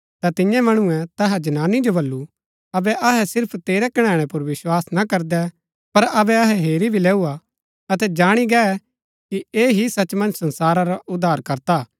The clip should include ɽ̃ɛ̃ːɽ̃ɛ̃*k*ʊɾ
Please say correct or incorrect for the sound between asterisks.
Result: incorrect